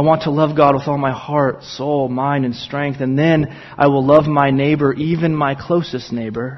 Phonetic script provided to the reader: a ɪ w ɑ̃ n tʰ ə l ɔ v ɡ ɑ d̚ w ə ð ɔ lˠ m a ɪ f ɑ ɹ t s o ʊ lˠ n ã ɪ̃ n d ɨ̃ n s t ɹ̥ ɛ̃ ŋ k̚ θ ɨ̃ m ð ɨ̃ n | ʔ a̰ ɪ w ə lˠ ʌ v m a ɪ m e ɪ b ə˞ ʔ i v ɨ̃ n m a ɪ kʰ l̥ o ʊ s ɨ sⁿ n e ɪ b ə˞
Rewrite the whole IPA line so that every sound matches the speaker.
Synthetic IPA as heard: a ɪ w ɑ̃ n tʰ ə l ʌ v ɡ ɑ d̚ w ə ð ɔ lˠ m a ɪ h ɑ ɹ t s o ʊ lˠ m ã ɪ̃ n d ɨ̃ n s t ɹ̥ ɛ̃ ŋ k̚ θ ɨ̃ n ð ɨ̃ n | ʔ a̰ ɪ w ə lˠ ʌ v m a ɪ n e ɪ b ə˞ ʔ i v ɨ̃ n m a ɪ kʰ l̥ o ʊ s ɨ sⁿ n e ɪ b ə˞